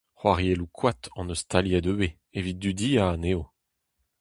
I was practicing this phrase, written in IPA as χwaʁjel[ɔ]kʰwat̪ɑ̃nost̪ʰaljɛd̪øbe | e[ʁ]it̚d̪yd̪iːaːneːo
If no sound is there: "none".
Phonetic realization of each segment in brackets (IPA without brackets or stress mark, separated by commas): u, v